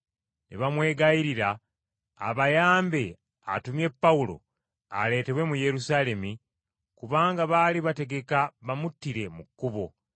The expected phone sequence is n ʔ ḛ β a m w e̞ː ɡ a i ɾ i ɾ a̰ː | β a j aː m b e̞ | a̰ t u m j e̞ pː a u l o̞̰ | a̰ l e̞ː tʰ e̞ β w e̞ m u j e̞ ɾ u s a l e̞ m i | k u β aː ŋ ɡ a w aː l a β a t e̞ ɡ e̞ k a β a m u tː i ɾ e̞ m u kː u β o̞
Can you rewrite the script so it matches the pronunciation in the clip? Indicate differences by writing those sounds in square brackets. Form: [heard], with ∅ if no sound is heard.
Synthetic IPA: n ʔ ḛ β a m w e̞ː ɡ a i ɾ i ɾ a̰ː | β a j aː m b e̞ | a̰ t u m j e̞ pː a u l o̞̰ | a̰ l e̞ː [t] e̞ β w e̞ m u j e̞ ɾ u s a l e̞ m i | k u β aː ŋ ɡ a [β] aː l [i] β a t e̞ ɡ e̞ k a β a m u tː i ɾ e̞ m u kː u β o̞